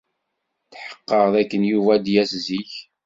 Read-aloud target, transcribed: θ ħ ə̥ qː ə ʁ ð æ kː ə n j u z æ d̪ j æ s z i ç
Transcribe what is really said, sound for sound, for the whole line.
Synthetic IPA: θ ħ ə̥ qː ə ʁ ð æ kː ə n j u v æ d̪ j æ s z i ç